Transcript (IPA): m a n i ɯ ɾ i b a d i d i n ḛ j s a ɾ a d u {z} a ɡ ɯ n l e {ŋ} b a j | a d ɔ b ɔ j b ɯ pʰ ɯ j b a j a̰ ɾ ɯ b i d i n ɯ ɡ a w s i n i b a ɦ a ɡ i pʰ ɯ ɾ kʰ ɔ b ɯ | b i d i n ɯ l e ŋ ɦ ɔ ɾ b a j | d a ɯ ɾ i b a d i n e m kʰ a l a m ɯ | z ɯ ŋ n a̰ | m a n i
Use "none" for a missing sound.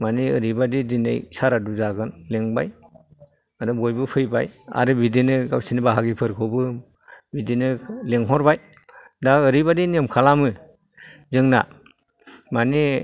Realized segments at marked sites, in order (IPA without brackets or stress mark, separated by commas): z, ŋ